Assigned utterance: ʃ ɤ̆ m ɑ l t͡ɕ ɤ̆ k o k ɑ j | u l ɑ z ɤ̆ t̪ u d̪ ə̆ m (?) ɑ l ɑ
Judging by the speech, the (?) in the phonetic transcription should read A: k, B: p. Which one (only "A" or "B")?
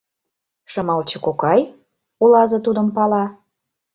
B